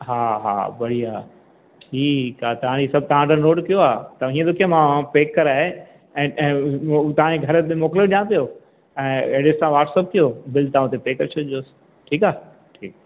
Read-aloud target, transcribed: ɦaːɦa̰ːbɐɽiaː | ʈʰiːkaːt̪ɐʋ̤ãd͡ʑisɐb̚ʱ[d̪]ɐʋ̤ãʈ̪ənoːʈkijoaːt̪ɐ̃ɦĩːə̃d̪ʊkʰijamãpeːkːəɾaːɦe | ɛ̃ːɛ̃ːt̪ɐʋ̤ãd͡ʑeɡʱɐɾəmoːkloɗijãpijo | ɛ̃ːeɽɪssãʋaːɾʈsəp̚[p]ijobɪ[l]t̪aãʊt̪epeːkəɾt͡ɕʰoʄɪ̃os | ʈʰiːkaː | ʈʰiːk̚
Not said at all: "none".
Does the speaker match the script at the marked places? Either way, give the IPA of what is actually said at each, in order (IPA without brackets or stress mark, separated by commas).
t̪, k, l